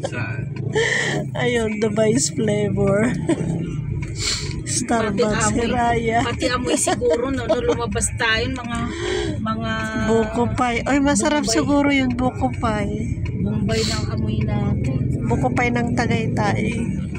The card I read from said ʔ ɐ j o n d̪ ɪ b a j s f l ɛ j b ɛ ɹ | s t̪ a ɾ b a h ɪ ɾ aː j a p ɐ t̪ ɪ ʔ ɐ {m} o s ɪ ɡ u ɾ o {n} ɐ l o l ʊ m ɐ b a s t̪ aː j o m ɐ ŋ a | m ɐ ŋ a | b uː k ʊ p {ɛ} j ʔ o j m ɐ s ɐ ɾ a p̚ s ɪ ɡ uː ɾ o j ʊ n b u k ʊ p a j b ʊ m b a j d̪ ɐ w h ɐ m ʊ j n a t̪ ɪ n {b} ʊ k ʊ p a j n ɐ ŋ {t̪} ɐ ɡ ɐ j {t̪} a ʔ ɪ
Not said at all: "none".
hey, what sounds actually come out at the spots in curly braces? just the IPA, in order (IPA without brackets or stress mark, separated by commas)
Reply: m, n, a, b, t̪, t̪